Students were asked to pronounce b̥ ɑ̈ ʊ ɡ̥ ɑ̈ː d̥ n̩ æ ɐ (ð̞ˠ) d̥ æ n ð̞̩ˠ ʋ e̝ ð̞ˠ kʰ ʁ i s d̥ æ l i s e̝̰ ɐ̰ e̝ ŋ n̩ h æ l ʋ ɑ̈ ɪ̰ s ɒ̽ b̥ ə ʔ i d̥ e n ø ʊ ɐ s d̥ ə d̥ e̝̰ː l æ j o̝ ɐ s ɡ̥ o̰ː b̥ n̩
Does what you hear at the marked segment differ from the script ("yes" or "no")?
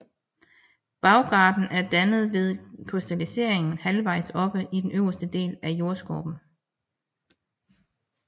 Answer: yes